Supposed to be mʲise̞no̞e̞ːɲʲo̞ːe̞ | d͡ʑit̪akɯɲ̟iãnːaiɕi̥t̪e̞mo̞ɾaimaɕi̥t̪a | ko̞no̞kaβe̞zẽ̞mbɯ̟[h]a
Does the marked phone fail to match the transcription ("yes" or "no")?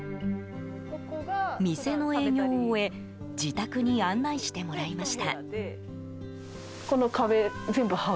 no